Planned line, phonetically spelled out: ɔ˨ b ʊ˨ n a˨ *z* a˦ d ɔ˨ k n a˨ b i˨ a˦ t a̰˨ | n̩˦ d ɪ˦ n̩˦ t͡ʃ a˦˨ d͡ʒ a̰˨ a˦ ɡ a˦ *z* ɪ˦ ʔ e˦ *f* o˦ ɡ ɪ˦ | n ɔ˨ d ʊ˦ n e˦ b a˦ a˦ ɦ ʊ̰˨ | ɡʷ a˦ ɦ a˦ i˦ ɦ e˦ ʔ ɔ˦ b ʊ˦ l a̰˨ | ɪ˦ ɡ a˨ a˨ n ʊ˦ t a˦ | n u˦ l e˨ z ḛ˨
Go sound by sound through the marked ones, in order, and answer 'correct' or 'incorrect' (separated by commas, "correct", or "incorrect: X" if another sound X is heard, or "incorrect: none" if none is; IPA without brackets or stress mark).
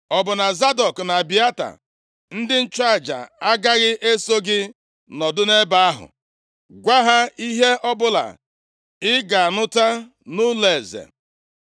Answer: correct, incorrect: ɣ, incorrect: s